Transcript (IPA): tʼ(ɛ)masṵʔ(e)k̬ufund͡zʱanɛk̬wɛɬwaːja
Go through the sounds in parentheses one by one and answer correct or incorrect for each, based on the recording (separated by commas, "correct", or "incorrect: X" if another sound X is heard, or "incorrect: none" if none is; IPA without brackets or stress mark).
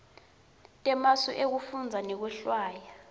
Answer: correct, correct